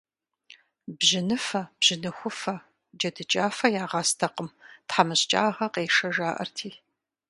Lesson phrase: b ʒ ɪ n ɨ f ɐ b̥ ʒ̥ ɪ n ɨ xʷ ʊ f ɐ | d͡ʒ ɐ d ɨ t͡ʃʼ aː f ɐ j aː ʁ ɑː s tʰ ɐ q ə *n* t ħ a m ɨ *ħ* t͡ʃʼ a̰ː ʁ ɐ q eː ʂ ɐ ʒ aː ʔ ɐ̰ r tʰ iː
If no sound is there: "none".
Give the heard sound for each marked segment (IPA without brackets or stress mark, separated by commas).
m, ɕ